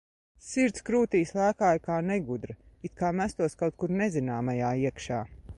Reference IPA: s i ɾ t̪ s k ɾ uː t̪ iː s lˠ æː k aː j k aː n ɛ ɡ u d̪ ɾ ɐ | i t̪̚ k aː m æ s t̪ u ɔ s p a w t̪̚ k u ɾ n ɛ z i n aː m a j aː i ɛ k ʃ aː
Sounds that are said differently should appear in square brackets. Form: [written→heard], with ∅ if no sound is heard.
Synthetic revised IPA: s i ɾ t̪ s k ɾ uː t̪ iː s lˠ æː k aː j k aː n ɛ ɡ u d̪ ɾ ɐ | i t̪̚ k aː m æ s t̪ u ɔ s [p→k] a w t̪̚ k u ɾ n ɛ z i n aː m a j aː i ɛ k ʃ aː